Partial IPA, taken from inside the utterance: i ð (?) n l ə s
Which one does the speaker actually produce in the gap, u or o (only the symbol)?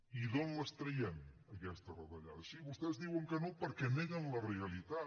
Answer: o